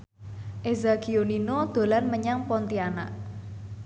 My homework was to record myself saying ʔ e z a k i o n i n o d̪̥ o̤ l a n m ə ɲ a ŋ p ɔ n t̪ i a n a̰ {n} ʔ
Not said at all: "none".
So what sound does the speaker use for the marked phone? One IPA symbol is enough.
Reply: none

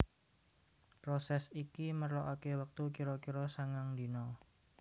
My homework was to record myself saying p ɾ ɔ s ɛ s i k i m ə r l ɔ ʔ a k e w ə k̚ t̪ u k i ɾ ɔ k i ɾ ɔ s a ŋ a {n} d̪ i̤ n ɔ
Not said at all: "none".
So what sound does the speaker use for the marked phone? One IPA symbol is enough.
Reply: ŋ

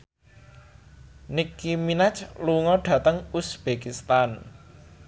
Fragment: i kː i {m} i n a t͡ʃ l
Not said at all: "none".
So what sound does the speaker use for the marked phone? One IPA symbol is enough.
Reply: m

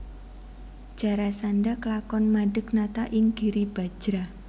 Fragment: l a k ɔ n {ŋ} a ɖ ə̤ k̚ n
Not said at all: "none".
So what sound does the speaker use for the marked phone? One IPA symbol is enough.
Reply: m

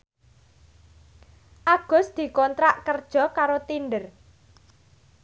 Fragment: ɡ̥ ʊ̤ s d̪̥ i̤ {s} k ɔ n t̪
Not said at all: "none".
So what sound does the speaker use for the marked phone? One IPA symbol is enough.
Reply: none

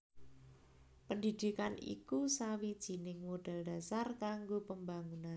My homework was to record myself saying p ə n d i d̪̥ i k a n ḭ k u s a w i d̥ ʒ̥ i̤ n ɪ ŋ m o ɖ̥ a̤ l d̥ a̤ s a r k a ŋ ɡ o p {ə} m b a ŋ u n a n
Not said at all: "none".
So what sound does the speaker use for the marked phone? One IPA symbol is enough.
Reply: ə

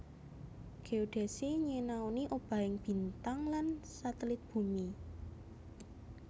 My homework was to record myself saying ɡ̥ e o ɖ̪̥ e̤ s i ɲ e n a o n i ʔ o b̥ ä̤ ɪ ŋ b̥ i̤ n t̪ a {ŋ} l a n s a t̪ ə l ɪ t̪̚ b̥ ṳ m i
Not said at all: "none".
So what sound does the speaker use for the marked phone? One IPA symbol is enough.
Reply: ŋ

